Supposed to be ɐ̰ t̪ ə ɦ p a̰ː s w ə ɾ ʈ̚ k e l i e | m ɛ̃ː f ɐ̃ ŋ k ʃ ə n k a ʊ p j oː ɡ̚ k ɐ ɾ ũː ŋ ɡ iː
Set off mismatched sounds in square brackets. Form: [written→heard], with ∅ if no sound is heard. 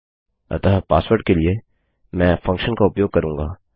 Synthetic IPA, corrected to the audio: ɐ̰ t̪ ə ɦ p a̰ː s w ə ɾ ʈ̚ k e l i e | m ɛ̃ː f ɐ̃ ŋ k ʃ ə n k a ʊ p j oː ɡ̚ k ɐ ɾ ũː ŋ ɡ [iː→aː]